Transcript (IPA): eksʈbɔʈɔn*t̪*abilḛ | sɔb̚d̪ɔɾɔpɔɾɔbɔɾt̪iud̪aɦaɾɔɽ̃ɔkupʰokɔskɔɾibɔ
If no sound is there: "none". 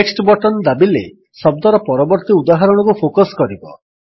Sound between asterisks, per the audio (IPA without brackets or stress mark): d̪